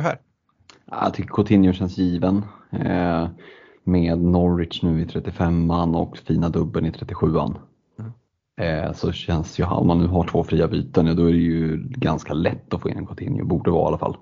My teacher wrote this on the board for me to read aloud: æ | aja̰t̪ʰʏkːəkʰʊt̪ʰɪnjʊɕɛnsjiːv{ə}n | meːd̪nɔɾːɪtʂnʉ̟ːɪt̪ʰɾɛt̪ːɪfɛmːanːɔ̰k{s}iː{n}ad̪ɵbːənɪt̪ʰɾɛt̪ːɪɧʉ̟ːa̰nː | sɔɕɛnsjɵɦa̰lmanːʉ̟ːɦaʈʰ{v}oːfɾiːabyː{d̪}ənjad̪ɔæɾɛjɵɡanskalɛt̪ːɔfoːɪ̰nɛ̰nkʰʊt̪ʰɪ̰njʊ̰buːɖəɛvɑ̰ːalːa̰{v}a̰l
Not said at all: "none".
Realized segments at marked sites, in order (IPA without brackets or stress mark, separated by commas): ə, f, n, v, t̪, f